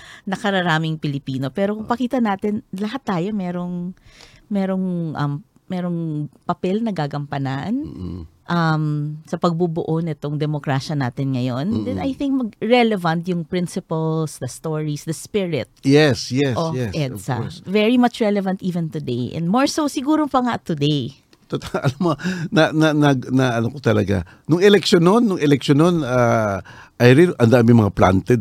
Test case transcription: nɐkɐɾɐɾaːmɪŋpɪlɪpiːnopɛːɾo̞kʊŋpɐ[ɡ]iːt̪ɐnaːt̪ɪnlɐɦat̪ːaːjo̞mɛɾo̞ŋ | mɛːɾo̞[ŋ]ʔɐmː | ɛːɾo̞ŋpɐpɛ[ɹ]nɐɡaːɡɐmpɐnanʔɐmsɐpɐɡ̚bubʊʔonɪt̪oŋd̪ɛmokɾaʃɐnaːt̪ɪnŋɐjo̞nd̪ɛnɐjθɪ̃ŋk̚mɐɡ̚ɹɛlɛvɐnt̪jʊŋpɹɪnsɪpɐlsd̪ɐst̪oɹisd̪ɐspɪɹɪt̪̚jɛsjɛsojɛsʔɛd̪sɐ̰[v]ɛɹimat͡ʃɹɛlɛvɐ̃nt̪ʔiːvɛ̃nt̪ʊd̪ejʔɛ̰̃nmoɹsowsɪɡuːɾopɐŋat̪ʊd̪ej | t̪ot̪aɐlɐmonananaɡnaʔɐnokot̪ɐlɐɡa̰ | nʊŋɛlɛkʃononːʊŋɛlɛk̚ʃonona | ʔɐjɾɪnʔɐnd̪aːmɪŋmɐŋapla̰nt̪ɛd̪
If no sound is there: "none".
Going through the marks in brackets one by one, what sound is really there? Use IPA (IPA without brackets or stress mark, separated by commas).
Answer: k, ŋ, l, v